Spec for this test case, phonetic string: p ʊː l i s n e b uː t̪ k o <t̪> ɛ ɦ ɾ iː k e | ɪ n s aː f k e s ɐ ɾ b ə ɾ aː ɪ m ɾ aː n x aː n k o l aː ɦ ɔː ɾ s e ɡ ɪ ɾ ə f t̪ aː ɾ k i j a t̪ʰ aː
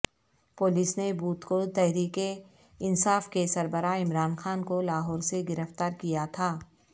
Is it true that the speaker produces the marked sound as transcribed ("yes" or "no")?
yes